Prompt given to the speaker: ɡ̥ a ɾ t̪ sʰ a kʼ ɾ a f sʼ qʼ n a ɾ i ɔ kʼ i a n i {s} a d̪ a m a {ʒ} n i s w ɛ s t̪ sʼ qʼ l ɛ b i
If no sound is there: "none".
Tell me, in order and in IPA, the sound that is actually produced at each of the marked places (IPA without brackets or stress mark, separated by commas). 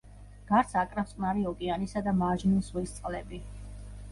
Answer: s, ʒ